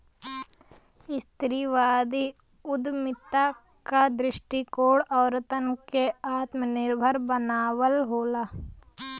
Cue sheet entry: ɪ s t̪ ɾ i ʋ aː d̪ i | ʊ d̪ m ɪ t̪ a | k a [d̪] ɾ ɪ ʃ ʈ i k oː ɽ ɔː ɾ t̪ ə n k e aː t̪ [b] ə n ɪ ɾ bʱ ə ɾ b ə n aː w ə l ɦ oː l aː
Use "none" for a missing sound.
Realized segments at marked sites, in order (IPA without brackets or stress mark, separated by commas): d̪, m